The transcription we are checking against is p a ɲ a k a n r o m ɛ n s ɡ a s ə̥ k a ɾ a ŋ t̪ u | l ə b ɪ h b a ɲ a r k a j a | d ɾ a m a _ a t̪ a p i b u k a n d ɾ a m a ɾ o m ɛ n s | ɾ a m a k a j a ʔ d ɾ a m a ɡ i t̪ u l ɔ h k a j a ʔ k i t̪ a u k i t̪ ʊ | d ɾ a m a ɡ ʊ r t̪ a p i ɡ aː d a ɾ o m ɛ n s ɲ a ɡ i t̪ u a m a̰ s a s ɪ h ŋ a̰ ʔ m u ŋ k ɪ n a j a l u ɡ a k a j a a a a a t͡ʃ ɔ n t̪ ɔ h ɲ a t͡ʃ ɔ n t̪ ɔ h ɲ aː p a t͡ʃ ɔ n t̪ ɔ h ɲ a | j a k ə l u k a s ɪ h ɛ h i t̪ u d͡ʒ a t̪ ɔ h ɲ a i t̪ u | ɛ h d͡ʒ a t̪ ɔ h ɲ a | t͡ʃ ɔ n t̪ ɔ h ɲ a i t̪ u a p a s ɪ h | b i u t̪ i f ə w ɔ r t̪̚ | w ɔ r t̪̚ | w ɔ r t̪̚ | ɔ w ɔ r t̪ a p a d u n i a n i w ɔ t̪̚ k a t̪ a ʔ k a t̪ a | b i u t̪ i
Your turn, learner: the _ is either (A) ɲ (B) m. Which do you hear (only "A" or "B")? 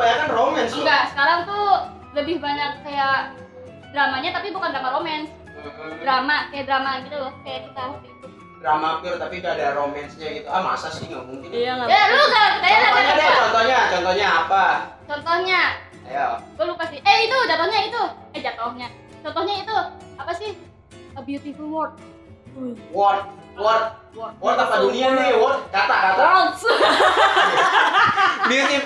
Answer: A